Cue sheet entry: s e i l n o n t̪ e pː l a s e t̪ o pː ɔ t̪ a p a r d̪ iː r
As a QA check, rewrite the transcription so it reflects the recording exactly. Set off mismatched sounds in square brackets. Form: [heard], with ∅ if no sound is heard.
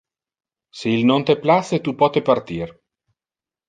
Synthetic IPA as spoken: s e i l n o n t̪ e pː l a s e t̪ [u] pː ɔ t̪ [e] p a r [t̪] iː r